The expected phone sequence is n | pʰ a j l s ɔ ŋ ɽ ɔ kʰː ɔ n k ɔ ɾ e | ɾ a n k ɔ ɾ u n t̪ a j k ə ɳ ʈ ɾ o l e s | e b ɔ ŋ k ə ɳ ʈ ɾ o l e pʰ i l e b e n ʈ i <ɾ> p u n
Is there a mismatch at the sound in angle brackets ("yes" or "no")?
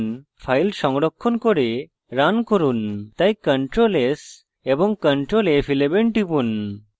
yes